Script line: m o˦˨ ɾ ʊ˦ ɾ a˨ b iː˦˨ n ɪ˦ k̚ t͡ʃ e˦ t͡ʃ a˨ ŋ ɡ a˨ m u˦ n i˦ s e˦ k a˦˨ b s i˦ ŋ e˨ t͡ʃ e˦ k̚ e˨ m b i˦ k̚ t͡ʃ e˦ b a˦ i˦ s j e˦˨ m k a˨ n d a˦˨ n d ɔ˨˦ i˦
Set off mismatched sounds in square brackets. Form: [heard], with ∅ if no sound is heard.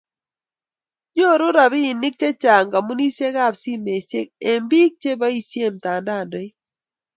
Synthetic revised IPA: [ɲ] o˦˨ ɾ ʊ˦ ɾ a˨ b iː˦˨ n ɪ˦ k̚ t͡ʃ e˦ t͡ʃ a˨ ŋ ɡ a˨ m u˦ n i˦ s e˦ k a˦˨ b s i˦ [m] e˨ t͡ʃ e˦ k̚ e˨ m b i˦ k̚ t͡ʃ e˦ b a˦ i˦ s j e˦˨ m [t] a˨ n d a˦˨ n d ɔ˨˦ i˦